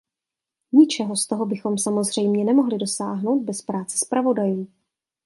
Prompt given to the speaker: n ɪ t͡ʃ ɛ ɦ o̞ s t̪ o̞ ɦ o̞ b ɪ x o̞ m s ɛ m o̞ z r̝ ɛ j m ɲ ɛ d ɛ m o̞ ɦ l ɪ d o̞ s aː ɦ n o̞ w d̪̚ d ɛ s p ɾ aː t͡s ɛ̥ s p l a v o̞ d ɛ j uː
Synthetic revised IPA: ɲ ɪ t͡ʃ ɛ ɦ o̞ s t̪ o̞ ɦ o̞ b ɪ x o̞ m s a m o̞ z r̝ ɛ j m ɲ ɛ n ɛ m o̞ ɦ l ɪ d o̞ s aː ɦ n o̞ w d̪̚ b ɛ s p ɾ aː t͡s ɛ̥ s p ɾ a v o̞ d a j uː